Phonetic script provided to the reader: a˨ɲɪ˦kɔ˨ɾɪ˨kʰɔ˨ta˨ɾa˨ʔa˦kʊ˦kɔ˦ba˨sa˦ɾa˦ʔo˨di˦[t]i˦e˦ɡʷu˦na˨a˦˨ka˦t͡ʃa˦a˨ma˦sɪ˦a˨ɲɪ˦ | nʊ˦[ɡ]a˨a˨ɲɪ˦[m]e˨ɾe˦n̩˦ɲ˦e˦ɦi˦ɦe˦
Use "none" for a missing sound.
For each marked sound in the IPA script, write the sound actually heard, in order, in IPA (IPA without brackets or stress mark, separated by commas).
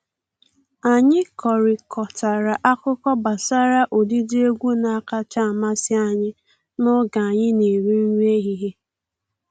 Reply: d, ɡ, n